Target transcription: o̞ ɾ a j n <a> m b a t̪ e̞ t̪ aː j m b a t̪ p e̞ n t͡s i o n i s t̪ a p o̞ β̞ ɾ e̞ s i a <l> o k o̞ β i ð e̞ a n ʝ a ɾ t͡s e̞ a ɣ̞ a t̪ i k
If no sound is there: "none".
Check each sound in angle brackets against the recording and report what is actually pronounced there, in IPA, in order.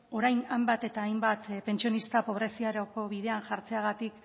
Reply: a, ɾ

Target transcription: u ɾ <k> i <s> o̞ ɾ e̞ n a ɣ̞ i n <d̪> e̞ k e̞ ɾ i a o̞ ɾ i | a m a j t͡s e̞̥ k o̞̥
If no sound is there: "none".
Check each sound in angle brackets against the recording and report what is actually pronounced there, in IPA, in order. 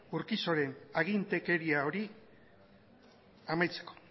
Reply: k, s, t̪

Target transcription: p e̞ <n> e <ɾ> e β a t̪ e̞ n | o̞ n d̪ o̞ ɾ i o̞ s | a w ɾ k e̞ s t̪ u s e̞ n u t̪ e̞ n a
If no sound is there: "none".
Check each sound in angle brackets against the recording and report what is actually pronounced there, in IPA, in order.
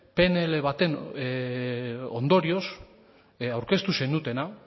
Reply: n, l

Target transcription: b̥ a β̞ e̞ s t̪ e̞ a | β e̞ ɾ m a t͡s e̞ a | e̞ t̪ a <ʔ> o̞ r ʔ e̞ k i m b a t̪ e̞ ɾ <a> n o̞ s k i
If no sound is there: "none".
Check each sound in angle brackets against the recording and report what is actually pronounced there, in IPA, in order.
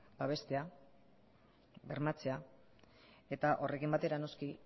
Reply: ʔ, a

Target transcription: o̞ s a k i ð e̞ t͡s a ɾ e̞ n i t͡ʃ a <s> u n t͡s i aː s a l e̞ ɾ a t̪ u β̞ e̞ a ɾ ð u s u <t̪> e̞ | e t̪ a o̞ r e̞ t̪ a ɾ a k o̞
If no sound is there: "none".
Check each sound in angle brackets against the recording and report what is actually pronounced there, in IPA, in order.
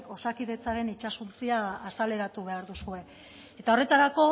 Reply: s, none

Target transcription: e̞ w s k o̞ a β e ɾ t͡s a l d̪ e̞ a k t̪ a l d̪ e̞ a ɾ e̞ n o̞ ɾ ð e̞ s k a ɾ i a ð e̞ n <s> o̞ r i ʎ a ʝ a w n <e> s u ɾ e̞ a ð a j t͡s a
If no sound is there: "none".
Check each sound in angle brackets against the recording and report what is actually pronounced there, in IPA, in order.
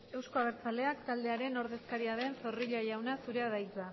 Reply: s, a

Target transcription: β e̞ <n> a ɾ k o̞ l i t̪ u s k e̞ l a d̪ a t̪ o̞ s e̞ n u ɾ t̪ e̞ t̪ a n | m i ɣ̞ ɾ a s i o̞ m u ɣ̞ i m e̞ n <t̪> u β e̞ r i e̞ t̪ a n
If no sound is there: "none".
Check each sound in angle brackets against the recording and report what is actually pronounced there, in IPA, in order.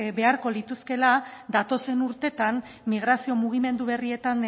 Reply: none, d̪

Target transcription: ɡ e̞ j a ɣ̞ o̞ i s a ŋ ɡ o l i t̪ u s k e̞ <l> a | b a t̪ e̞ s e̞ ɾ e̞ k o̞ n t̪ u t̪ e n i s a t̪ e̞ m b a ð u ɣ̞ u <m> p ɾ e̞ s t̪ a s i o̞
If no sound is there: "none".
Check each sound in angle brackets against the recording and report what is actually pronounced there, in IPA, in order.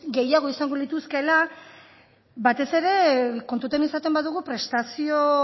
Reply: l, none

